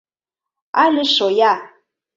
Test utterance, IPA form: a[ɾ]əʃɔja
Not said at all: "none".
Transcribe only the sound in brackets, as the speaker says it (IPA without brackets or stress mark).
l